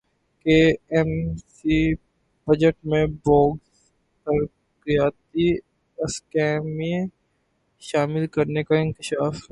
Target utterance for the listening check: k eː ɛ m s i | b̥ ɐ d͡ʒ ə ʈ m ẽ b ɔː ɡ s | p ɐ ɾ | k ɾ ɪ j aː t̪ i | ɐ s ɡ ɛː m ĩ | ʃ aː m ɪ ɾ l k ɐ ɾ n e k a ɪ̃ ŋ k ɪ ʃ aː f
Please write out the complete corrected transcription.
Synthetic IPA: k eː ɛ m s i | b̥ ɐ d͡ʒ ə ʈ m ẽ b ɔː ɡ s | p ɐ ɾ | k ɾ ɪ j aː t̪ i | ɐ s k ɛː m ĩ | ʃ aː m ɪ l k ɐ ɾ n e k a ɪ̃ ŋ k ɪ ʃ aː f